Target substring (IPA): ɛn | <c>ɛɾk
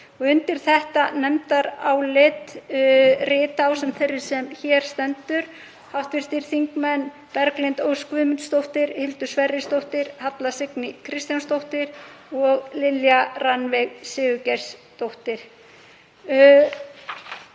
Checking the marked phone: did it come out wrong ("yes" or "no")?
yes